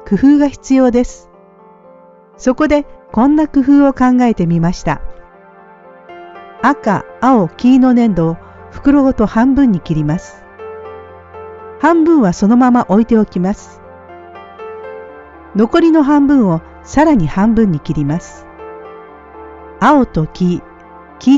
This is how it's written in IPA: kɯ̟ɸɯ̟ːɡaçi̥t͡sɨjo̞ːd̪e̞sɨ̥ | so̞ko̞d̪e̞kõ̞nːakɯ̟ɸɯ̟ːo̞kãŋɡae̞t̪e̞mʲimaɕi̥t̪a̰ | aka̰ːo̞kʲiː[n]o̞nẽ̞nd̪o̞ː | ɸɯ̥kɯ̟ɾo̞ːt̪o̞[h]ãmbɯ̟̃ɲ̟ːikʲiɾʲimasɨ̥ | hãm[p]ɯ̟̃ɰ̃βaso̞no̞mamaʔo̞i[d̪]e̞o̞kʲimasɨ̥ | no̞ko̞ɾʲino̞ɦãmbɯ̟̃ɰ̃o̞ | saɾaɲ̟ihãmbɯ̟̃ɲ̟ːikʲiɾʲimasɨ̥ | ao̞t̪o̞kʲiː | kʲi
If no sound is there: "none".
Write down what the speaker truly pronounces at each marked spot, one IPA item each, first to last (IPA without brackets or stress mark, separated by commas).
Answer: n, h, b, t̪